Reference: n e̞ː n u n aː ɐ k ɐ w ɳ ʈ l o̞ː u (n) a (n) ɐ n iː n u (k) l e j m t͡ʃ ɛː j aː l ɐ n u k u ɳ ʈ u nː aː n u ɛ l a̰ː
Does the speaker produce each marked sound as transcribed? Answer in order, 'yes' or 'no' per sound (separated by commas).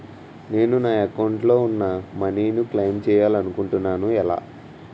no, no, yes